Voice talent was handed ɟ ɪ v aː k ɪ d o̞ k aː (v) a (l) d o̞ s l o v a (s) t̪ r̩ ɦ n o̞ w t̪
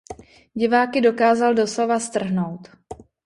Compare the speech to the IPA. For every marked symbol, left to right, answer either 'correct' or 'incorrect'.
incorrect, correct, correct

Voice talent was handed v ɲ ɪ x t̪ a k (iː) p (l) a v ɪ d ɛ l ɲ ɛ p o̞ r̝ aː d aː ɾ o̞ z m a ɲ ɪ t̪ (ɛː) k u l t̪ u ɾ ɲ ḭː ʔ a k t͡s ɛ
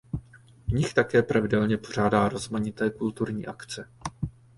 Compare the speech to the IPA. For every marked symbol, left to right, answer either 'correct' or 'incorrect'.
incorrect, incorrect, correct

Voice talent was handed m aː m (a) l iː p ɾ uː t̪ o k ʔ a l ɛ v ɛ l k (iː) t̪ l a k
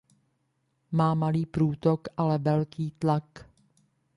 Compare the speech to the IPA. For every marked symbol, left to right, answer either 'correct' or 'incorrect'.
correct, correct

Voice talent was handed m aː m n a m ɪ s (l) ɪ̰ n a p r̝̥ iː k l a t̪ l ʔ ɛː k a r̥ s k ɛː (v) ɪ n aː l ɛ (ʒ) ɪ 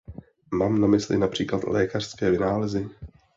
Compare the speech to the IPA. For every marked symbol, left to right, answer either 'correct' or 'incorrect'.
correct, correct, incorrect

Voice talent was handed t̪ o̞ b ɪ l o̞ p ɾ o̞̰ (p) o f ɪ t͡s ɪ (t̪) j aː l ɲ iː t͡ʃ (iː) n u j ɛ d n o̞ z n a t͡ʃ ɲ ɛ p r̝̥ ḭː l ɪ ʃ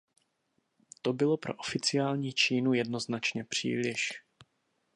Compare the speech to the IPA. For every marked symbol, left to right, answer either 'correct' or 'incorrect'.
incorrect, incorrect, correct

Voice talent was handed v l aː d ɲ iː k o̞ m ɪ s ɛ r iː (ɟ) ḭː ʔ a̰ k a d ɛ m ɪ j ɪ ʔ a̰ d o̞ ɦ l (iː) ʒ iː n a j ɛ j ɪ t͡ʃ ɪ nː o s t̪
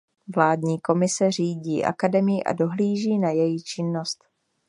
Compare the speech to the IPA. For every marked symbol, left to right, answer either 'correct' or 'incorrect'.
correct, correct

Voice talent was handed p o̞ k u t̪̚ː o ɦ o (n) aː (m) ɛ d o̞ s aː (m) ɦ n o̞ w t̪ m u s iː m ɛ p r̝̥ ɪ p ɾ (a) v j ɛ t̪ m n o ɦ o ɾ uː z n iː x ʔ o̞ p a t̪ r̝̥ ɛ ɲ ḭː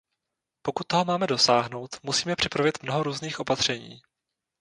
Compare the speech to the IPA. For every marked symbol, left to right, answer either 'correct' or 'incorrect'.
incorrect, correct, incorrect, correct

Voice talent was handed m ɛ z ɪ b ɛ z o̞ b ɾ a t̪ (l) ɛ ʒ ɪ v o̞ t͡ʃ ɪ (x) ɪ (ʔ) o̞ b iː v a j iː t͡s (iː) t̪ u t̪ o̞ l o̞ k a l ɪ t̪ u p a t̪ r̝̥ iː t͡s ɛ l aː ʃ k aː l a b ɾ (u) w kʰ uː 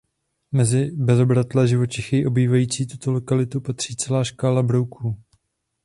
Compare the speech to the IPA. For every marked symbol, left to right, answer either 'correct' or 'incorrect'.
correct, correct, correct, correct, incorrect

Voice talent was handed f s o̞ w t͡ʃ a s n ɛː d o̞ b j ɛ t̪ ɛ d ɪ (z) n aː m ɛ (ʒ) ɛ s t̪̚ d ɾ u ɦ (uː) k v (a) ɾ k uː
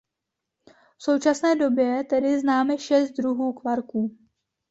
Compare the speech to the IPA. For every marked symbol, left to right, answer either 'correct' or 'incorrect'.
correct, incorrect, correct, correct

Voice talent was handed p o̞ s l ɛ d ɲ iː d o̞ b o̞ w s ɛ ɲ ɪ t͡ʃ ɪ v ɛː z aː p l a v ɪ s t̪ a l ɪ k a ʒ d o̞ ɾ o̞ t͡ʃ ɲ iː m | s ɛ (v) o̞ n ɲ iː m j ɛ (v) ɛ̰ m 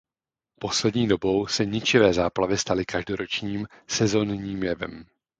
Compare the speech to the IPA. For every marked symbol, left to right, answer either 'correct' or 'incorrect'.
incorrect, correct

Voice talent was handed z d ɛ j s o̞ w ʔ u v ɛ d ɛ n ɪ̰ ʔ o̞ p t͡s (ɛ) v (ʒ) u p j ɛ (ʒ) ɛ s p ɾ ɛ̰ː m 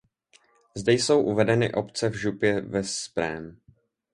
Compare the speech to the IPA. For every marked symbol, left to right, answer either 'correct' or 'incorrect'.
correct, correct, incorrect

